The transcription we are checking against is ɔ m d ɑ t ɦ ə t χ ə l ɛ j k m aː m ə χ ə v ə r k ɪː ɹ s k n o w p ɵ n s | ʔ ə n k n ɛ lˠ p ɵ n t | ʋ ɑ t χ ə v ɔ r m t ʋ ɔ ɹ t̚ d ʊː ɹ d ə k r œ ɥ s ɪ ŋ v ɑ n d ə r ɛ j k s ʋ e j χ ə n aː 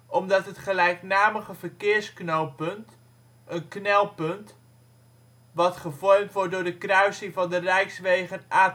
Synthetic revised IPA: ɔ m d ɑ t ɦ ə t χ ə l ɛ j k n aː m ə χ ə v ə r k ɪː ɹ s k n o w p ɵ n t | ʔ ə n k n ɛ lˠ p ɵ n t | ʋ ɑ t χ ə v ɔ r m t ʋ ɔ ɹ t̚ d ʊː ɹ d ə k r œ ɥ s ɪ ŋ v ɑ n d ə r ɛ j k s ʋ e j χ ə n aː